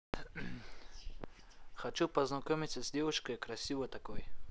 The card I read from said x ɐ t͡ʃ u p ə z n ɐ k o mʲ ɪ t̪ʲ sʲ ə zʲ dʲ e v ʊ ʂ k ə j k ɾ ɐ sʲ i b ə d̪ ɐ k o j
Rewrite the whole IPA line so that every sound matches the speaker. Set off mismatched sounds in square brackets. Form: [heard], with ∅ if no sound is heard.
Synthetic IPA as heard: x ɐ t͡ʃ u p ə z n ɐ k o mʲ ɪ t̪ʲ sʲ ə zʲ dʲ e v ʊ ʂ k ə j k ɾ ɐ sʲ i [v] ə [t̪] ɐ k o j